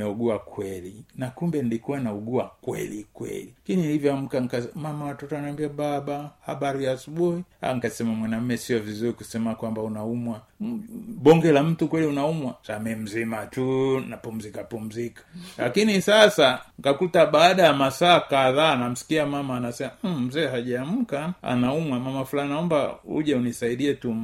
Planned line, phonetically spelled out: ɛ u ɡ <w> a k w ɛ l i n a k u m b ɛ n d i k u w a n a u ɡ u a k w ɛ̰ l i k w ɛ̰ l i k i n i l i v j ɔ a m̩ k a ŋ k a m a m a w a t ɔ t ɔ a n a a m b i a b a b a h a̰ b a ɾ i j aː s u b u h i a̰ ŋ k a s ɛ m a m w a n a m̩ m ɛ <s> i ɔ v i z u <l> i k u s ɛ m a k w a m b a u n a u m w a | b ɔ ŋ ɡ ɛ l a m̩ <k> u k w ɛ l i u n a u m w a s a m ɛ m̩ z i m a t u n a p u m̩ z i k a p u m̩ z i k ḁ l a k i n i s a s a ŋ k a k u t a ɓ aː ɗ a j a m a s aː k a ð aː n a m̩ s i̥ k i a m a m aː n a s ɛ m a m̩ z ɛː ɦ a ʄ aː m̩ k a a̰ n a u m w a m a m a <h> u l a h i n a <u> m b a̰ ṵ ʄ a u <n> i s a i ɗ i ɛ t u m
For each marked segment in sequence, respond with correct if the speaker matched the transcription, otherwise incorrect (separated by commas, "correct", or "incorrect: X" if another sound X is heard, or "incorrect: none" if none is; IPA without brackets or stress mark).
incorrect: u, correct, incorrect: ɾ, incorrect: t, incorrect: f, incorrect: ɔ, correct